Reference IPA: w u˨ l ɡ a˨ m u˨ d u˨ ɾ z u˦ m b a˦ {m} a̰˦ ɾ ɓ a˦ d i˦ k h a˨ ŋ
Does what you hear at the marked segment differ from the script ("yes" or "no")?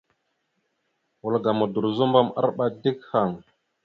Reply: no